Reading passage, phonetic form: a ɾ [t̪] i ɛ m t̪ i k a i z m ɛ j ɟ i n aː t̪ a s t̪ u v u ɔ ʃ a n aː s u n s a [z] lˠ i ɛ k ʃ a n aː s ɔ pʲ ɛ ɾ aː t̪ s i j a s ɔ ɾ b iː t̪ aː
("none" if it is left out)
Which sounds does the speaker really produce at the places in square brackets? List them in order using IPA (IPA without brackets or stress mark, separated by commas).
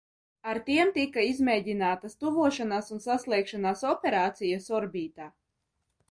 t̪, s